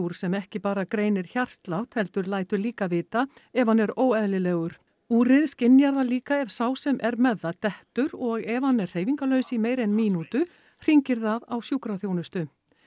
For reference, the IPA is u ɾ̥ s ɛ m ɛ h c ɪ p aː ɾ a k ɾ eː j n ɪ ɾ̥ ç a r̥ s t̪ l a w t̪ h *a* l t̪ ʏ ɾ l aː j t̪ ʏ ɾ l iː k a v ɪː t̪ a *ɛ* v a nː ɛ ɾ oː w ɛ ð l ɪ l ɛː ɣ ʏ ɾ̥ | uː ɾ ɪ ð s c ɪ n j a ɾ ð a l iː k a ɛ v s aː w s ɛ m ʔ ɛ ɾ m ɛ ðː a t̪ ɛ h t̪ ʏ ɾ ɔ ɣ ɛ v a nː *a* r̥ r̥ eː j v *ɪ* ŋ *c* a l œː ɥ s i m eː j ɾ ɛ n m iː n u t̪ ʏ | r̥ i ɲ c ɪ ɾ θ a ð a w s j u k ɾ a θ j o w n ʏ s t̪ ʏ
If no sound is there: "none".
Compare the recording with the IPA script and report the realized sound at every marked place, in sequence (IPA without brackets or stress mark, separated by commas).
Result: ɛ, ɛ, ɛ, i, k